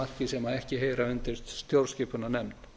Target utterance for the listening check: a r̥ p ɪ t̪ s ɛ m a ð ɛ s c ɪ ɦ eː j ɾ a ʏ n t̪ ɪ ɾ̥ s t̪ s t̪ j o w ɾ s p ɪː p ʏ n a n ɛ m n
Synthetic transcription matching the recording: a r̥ c ɪ s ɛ m a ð ɛ h c ɪ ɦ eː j ɾ a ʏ n t̪ ɪ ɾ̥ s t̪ s t̪ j o w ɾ s c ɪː p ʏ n a n ɛ m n